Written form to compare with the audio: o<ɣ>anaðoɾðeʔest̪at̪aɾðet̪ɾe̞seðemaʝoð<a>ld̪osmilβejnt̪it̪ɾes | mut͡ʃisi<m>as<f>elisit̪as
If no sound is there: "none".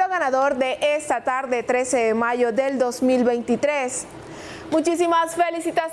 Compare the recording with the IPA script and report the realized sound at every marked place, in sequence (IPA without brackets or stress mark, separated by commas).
ɣ, e, m, f